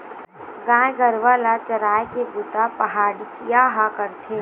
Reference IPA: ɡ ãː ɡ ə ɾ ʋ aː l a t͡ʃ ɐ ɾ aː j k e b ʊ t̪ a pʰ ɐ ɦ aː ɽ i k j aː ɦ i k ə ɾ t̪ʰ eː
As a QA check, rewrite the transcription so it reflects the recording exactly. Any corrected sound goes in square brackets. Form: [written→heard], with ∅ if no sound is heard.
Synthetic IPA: ɡ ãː ɡ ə ɾ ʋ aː l a t͡ʃ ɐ ɾ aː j k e b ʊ t̪ a [pʰ→p] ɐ ɦ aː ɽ i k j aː ɦ [i→a] k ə ɾ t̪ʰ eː